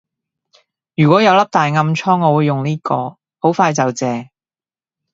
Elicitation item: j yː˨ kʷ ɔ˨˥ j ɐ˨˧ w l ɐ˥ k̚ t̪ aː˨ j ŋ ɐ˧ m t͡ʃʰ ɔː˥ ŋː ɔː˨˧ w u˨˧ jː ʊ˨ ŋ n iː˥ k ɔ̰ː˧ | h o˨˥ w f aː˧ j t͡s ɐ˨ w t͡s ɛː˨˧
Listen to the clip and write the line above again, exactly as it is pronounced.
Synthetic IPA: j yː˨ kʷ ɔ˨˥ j ɐ˨˧ w l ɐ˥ p̚ t̪ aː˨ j ŋ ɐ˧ m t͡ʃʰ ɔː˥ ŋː ɔː˨˧ w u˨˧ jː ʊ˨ ŋ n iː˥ k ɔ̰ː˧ | h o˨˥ w f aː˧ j t͡s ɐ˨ w t͡s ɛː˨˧